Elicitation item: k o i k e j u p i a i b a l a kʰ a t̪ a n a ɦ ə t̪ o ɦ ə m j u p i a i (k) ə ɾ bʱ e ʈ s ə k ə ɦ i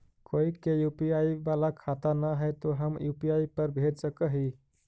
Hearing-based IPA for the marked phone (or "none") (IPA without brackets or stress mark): p